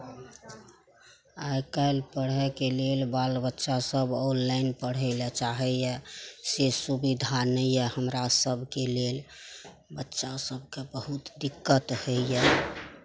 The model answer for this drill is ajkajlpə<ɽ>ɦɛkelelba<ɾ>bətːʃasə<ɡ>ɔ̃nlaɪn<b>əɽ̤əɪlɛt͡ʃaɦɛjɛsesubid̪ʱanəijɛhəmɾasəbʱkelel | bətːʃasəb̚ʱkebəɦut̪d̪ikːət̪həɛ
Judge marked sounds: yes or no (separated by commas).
yes, no, no, no